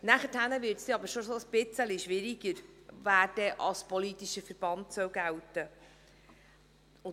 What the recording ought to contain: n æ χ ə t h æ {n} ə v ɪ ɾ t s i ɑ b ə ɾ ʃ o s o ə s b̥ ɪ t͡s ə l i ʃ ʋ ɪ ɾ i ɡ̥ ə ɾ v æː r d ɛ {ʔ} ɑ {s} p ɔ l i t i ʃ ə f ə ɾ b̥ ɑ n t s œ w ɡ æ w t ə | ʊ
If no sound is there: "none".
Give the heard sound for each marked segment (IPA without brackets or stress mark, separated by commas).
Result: n, ʔ, s